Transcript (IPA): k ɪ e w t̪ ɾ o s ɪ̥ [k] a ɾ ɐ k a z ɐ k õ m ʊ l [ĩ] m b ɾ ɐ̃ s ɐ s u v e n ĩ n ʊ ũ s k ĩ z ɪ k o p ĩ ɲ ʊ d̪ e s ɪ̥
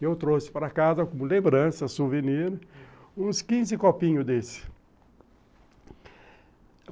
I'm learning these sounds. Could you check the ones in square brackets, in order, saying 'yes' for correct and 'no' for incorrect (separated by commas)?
no, no